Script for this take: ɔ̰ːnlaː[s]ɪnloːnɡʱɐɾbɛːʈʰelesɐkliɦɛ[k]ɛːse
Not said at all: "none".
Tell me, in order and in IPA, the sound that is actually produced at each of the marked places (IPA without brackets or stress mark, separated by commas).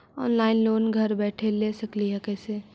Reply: none, k